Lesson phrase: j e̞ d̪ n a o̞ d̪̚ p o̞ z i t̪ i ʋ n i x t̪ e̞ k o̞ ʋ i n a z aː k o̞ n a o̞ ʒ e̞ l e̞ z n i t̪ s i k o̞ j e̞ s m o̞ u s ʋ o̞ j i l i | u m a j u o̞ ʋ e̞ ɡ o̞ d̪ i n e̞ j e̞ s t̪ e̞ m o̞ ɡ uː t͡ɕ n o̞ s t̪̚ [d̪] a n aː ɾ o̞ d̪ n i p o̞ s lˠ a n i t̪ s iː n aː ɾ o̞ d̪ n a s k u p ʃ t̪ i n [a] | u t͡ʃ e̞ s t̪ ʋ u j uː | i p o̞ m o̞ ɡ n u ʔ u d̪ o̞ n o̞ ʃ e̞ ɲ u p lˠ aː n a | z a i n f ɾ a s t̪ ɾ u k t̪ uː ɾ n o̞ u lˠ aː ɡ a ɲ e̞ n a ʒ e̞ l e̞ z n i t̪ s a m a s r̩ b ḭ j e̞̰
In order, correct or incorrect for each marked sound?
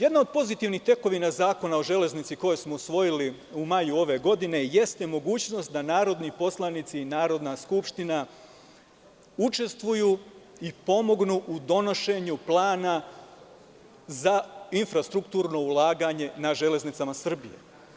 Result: correct, correct

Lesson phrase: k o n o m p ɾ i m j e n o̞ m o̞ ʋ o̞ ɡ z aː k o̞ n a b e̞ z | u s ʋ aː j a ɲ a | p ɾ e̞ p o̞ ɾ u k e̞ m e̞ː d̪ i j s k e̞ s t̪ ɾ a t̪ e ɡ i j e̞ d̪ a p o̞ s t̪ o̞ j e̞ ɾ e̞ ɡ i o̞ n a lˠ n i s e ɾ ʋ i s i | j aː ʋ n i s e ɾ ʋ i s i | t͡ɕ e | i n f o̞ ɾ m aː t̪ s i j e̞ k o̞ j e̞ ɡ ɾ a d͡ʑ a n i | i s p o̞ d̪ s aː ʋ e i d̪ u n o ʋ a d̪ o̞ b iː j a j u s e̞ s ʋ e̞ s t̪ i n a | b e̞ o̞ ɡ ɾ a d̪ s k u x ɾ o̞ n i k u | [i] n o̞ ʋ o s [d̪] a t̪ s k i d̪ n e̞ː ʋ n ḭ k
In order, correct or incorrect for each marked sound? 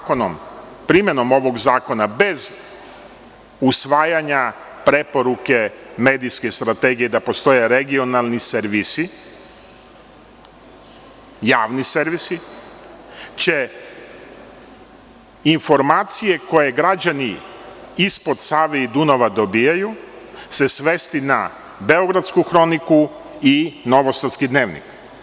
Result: correct, incorrect: t̪

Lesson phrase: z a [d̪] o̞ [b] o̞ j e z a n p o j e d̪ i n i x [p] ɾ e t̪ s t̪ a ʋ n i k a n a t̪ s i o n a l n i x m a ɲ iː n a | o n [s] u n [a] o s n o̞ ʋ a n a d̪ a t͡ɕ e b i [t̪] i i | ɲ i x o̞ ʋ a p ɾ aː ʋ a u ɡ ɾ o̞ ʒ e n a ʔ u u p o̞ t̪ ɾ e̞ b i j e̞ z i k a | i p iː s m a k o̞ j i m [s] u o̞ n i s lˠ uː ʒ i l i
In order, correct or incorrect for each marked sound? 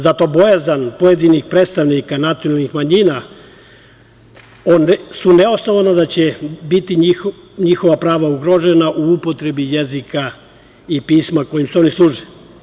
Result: incorrect: t̪, correct, correct, correct, incorrect: e, correct, correct

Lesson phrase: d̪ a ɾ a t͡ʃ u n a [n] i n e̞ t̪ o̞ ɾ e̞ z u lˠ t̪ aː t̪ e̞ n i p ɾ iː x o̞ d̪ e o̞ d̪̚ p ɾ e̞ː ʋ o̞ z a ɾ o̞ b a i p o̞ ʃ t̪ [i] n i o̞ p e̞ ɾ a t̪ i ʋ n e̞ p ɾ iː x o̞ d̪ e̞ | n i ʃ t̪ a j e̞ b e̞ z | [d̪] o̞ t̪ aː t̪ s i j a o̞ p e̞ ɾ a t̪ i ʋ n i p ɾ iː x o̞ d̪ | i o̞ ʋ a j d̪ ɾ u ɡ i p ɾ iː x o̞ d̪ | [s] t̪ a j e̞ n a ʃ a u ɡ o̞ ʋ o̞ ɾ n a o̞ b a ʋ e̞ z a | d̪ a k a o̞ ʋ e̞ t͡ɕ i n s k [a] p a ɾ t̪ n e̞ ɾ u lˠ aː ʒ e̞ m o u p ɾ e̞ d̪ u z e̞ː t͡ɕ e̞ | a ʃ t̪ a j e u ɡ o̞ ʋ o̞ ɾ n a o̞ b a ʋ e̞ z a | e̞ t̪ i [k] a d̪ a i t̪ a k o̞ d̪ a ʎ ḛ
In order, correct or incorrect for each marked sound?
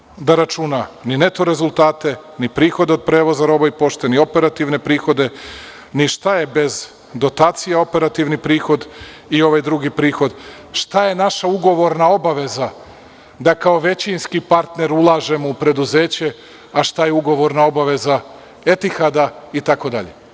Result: correct, incorrect: e, correct, incorrect: ʃ, incorrect: i, incorrect: x

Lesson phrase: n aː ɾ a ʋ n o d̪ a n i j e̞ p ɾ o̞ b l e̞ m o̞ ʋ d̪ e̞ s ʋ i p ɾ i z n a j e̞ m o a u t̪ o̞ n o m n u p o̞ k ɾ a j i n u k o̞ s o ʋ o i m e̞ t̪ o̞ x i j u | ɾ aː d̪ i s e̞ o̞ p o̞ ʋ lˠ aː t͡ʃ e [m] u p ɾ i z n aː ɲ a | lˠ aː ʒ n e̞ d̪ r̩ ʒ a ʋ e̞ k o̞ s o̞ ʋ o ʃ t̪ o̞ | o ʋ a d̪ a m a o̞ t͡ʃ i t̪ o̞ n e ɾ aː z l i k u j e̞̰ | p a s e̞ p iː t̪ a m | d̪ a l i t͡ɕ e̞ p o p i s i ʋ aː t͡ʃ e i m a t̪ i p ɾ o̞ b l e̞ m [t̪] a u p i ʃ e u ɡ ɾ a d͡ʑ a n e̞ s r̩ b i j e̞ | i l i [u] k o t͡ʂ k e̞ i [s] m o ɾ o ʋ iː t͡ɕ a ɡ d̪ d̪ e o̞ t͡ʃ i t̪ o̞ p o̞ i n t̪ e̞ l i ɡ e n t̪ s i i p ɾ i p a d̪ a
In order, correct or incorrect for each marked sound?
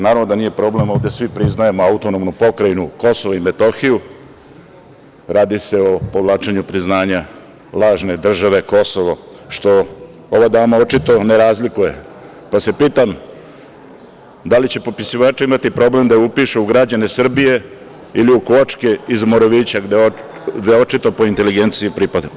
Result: incorrect: ɲ, incorrect: d̪, correct, incorrect: z

